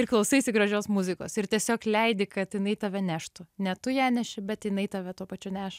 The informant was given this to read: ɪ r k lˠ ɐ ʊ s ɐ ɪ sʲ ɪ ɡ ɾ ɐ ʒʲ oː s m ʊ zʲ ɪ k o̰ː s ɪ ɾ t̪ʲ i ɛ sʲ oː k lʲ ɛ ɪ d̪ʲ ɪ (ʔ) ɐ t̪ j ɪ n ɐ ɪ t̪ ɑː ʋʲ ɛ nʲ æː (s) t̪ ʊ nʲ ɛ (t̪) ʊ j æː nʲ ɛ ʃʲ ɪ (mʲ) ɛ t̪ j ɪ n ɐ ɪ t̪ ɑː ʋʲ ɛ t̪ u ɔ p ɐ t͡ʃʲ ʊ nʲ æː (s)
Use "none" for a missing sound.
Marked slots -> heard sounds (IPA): k, ʃ, t̪, bʲ, ʃ

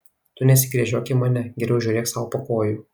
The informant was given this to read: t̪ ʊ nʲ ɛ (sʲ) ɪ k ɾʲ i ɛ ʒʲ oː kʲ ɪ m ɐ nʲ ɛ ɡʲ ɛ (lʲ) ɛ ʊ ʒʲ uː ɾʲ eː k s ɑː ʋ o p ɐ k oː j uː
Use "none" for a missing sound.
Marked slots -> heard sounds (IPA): sʲ, ɾʲ

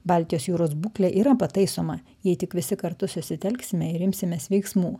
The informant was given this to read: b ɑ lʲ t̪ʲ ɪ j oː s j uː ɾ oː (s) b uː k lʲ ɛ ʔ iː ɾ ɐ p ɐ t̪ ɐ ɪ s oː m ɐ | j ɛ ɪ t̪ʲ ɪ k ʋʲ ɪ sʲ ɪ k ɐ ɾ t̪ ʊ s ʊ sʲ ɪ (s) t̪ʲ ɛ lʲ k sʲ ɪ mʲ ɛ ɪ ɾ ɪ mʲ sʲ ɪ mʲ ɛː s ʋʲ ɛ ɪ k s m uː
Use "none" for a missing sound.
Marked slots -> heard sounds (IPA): s, none

